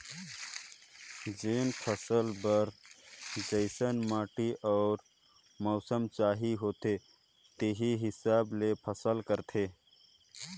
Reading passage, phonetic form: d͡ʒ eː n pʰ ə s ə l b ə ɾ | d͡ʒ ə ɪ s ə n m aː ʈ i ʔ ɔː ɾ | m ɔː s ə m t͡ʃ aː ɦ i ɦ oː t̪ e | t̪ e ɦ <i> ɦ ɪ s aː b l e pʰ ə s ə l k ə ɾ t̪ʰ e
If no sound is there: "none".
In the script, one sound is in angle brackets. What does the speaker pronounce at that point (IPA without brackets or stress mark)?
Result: i